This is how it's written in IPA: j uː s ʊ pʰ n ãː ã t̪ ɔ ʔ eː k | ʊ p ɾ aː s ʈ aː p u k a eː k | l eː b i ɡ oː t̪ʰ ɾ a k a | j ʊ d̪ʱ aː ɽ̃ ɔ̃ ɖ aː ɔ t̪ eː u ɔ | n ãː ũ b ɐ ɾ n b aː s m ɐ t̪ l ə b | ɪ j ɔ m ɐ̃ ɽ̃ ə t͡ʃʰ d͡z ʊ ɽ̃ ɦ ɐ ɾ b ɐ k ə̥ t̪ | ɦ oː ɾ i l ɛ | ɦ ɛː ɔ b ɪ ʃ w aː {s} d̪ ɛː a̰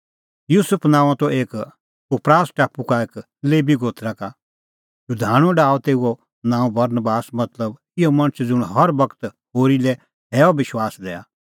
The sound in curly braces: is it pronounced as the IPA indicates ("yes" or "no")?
yes